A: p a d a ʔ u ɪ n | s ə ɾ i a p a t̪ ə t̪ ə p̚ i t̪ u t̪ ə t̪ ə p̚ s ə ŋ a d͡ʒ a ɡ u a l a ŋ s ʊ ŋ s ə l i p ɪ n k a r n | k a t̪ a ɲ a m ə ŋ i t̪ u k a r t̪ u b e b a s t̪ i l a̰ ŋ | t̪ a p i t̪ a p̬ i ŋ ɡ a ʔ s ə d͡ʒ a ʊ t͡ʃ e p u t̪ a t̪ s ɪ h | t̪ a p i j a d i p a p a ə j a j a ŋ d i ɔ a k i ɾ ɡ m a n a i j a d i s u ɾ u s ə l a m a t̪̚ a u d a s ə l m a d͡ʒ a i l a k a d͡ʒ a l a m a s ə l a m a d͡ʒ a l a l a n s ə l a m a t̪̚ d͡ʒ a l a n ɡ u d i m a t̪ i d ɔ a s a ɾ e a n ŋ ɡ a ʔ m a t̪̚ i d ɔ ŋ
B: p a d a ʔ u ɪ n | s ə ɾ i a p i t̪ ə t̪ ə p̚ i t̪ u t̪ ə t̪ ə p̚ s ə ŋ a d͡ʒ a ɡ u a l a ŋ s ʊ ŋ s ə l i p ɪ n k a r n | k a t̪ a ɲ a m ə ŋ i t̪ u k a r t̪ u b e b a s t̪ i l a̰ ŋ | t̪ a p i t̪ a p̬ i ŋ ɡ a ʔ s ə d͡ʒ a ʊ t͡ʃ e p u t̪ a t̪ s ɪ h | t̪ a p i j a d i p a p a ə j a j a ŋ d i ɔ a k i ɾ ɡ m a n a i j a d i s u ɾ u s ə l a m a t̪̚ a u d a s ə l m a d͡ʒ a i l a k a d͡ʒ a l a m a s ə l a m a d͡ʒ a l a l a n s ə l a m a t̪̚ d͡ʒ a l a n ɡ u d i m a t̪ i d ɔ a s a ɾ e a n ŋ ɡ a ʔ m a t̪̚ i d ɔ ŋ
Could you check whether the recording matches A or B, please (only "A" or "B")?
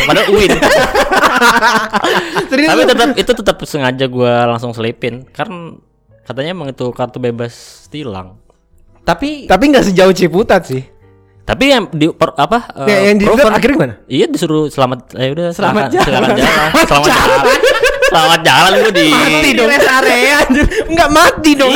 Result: B